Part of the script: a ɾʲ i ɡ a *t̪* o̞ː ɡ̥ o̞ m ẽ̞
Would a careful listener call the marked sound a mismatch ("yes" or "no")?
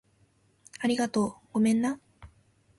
no